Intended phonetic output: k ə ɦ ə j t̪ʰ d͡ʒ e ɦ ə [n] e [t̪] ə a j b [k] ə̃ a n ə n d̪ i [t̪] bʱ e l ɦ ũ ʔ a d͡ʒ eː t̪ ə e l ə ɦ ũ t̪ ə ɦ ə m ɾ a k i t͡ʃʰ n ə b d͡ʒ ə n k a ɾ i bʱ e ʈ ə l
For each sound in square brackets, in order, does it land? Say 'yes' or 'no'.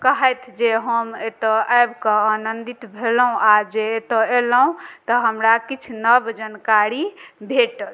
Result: no, yes, yes, yes

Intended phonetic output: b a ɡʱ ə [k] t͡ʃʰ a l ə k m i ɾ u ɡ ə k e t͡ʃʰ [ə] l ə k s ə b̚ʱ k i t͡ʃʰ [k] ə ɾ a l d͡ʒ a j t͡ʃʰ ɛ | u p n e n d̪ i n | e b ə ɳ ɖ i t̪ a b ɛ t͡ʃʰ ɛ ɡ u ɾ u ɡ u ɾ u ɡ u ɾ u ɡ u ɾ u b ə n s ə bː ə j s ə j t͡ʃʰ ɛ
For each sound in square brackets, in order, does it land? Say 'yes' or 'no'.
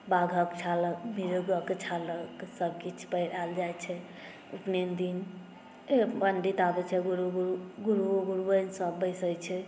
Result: yes, no, no

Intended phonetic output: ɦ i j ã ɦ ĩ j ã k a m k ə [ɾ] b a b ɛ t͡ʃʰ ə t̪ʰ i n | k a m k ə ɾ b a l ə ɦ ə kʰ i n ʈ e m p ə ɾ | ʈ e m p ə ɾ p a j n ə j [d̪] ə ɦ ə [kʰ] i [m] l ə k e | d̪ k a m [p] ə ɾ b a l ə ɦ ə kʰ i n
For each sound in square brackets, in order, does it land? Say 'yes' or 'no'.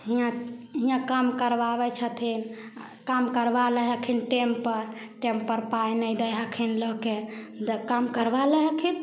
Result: yes, yes, yes, no, no

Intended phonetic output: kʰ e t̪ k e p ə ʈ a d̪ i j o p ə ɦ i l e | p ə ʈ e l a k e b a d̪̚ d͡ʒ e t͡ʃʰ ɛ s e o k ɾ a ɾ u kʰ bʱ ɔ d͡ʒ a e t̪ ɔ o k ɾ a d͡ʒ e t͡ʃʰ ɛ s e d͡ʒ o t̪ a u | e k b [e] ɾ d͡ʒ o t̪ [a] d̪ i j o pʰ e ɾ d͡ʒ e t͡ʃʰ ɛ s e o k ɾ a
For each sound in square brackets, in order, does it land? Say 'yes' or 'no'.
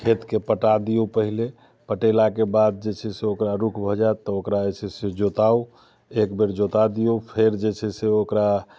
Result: yes, yes

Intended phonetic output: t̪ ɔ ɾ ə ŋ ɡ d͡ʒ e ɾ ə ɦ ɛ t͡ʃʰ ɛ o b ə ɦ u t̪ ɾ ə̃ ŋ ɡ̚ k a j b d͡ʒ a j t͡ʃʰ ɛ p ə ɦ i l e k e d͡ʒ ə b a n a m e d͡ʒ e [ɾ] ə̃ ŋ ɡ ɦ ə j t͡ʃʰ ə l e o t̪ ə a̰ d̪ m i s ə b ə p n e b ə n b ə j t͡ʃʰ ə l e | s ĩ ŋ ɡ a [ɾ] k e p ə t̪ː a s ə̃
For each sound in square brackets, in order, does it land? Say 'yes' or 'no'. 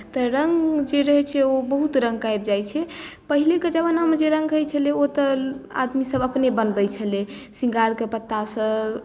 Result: yes, yes

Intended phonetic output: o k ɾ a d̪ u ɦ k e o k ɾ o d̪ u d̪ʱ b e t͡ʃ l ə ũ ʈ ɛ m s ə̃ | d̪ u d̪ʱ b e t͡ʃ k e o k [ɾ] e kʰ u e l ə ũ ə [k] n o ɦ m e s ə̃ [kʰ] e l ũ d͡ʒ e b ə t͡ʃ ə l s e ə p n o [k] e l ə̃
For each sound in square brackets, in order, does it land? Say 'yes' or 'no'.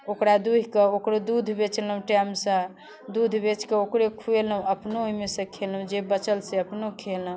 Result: yes, no, yes, no

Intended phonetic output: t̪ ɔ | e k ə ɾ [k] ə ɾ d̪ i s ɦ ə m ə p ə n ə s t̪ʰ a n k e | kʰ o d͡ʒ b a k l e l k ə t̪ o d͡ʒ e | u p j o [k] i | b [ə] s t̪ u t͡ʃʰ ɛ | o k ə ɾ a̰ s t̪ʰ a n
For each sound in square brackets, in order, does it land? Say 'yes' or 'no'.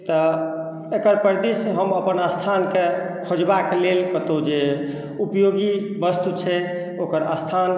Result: no, no, yes

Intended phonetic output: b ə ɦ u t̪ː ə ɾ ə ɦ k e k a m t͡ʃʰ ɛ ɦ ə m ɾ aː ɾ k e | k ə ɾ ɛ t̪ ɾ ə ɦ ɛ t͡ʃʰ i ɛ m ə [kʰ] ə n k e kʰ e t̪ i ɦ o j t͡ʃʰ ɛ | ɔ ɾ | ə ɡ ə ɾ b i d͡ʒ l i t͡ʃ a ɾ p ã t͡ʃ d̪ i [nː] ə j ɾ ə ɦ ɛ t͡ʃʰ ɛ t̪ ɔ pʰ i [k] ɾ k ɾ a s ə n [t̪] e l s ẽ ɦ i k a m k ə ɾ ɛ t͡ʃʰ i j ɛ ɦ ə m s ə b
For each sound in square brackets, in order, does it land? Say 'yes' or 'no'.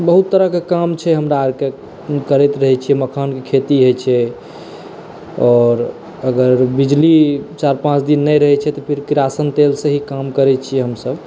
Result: yes, yes, no, yes

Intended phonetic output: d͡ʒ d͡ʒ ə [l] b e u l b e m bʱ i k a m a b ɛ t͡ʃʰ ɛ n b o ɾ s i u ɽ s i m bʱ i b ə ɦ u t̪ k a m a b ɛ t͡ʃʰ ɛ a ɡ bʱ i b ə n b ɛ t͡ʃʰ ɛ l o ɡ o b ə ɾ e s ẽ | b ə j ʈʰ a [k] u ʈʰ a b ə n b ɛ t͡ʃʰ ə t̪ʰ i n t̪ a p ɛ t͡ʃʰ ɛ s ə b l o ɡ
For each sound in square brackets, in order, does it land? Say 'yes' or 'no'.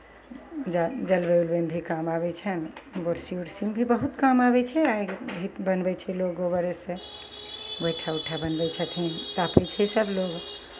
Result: yes, no

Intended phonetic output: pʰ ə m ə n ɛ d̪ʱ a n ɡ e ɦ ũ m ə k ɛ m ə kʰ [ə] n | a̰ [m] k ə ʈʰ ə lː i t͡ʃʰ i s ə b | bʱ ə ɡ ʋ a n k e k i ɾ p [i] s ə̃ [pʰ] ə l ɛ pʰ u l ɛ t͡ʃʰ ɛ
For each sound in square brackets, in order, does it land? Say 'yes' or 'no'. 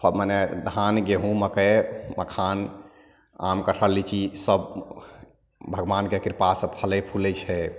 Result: no, yes, no, yes

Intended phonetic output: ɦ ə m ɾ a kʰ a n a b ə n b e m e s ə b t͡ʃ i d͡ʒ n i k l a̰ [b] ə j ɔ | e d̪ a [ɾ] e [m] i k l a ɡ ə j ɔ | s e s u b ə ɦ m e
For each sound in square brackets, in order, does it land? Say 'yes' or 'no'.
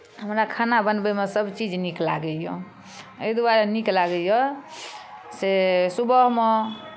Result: no, yes, no

